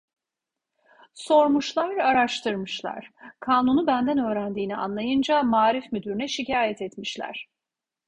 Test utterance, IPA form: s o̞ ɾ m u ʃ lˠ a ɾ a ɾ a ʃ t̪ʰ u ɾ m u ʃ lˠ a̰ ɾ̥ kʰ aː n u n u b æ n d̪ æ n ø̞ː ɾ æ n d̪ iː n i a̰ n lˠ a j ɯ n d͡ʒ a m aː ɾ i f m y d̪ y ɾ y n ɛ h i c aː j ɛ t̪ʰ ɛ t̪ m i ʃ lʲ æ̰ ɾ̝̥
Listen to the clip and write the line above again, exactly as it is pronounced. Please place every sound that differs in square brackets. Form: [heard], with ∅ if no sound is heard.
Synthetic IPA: s o̞ ɾ m u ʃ lˠ a ɾ a ɾ a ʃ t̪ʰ [ɯ] ɾ m [ɯ] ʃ lˠ a̰ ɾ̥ kʰ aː n u n u b æ n d̪ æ n ø̞ː ɾ æ n d̪ iː n i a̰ n lˠ a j ɯ n d͡ʒ a m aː ɾ i f m y d̪ y ɾ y n ɛ [ʃ] i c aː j ɛ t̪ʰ ɛ t̪ m i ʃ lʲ æ̰ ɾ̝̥